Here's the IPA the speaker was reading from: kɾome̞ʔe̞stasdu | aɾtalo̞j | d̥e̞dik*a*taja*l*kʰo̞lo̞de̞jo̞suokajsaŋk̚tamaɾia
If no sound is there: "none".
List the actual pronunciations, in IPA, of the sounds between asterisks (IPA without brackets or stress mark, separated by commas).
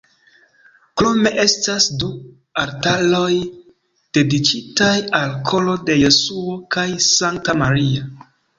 i, l